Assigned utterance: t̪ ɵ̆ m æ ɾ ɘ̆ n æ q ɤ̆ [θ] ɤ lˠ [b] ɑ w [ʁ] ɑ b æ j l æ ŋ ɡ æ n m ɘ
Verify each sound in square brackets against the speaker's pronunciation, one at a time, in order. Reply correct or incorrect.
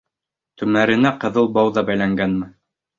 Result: incorrect: ð, correct, incorrect: ð

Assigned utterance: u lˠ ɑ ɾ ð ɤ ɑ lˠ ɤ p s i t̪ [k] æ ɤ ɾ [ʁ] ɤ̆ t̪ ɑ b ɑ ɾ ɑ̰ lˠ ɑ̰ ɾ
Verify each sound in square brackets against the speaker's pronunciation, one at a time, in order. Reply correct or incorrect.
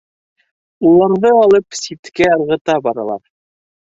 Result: correct, correct

